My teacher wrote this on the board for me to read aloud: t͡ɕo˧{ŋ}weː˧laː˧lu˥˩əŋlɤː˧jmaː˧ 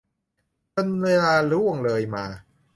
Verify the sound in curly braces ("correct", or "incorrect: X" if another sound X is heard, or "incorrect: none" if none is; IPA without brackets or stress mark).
incorrect: n